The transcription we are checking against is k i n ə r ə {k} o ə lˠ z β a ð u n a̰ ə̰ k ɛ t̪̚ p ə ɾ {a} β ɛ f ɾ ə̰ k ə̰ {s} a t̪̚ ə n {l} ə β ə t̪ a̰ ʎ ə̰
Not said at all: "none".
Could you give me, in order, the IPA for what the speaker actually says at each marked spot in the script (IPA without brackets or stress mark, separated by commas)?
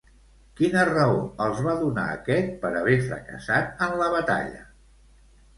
none, ə, s, l